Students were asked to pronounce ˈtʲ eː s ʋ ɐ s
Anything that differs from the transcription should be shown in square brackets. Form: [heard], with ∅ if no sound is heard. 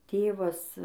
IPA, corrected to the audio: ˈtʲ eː [∅] ʋ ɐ s